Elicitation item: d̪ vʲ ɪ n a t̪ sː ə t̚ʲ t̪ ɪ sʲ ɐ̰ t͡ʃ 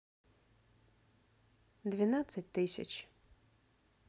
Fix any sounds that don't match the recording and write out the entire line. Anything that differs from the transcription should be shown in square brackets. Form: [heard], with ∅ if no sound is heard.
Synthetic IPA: d̪ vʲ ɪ n a t̪ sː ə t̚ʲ t̪ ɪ sʲ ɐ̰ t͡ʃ

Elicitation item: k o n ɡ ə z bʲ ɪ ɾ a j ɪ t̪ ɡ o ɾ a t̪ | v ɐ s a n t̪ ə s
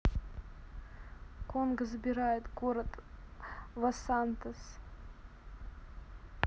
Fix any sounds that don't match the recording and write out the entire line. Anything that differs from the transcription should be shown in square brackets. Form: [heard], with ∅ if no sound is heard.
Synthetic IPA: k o n ɡ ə z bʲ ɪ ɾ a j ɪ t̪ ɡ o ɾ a t̪ | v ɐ s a n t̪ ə s

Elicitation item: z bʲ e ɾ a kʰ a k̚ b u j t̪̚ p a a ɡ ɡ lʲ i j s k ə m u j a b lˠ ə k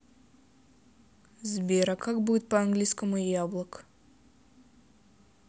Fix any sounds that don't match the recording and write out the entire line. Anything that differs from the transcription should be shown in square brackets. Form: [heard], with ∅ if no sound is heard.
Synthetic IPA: z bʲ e ɾ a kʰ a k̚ b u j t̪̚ p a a [ŋ] ɡ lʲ i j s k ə m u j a b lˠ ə k

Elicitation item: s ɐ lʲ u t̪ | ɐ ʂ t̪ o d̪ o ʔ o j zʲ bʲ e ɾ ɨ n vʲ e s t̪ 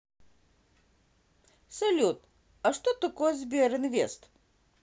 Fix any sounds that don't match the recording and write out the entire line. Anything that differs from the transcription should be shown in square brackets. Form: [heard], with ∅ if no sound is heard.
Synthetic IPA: s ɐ lʲ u t̪ | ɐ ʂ t̪ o [t̪] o [k] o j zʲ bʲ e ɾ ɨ n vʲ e s t̪

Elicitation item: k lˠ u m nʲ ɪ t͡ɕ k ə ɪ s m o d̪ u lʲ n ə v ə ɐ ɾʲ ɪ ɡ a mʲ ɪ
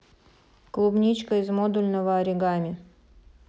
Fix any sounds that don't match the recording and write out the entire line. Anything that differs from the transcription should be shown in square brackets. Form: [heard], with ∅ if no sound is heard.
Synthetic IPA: k lˠ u [b] nʲ [i] t͡ɕ k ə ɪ [z] m o d̪ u lʲ n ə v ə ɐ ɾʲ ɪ ɡ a mʲ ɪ

